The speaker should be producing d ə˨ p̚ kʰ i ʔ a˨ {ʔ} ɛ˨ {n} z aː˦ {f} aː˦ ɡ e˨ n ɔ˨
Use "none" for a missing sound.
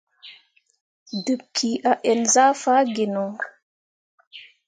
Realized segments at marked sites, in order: ʔ, n, f

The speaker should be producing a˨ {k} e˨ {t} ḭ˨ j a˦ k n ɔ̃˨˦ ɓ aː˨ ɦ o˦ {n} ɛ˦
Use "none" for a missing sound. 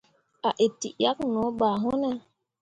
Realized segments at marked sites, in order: ʔ, t, n

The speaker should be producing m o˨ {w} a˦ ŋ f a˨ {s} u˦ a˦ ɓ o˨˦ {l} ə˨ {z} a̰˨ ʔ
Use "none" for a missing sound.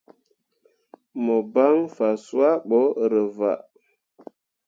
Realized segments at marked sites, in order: b, s, ɾ, v

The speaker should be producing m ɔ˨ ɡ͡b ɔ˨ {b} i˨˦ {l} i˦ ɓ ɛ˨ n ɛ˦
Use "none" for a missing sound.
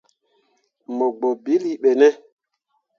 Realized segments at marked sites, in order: b, l

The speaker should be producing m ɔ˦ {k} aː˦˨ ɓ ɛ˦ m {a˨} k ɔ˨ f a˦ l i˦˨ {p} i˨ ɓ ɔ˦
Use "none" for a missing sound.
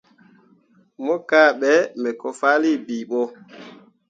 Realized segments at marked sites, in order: k, ɛ˨, b

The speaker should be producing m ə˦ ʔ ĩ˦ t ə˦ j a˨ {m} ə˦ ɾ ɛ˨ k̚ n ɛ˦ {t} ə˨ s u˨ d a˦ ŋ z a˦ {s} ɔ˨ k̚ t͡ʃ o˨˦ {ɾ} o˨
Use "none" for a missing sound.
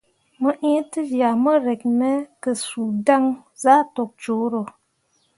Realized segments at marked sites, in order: m, k, t, ɾ

